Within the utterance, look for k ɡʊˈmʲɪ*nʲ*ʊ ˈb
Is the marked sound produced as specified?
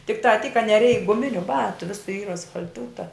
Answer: yes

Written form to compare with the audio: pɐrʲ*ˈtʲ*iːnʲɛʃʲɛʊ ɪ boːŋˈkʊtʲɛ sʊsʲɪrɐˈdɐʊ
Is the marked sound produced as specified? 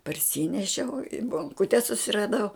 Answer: no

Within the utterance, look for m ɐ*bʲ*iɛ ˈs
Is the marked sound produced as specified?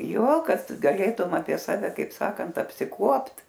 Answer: no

